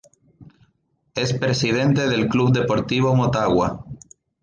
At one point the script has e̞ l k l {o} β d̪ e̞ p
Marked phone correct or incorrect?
incorrect